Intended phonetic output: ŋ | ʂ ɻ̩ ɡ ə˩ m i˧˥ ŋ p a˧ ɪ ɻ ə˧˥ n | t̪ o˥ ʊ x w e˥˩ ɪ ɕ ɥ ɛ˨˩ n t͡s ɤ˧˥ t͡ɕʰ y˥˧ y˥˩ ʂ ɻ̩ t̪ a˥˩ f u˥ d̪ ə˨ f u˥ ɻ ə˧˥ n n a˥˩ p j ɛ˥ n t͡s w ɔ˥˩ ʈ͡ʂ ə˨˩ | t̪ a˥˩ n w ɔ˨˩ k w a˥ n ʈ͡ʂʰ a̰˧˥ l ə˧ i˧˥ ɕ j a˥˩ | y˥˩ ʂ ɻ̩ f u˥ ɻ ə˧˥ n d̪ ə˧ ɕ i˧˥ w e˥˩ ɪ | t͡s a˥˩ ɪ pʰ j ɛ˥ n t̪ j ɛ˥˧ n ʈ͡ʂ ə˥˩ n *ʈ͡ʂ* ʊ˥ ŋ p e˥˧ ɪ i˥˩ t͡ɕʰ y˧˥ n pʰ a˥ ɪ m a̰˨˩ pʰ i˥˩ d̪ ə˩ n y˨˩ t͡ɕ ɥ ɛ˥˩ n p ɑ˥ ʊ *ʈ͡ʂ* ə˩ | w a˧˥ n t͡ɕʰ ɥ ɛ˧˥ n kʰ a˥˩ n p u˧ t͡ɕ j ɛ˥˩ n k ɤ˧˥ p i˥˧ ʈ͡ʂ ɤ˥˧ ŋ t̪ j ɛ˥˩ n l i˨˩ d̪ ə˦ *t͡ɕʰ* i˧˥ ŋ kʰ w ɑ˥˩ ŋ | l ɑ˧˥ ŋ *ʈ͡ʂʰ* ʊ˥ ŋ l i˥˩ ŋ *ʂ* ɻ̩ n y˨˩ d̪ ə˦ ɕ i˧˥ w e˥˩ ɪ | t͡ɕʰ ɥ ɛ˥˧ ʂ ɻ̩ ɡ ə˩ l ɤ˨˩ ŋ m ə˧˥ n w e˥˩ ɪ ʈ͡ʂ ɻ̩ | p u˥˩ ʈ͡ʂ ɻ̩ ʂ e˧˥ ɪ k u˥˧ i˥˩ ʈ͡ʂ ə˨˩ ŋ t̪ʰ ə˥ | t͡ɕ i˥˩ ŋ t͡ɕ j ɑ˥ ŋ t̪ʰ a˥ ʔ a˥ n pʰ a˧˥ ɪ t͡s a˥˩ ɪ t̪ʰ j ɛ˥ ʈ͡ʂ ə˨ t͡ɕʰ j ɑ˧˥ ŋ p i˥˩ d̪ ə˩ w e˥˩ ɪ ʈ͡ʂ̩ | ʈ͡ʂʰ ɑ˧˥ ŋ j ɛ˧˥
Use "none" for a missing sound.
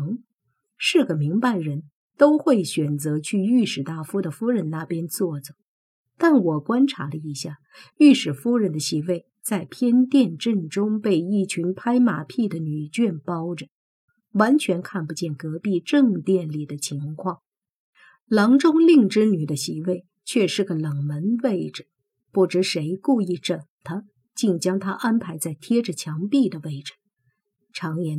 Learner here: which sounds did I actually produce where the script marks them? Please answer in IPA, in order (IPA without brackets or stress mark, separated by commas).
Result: ʈ͡ʂ, ʈ͡ʂ, t͡ɕʰ, ʈ͡ʂ, ʈ͡ʂ